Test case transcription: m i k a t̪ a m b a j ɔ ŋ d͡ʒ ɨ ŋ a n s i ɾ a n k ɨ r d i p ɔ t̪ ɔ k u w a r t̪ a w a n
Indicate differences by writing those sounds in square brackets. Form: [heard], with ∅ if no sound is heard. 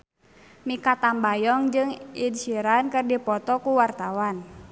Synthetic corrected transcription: m i k a t̪ a m b a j ɔ ŋ d͡ʒ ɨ ŋ [i] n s i ɾ a n k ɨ r d i p ɔ t̪ ɔ k u w a r t̪ a w a n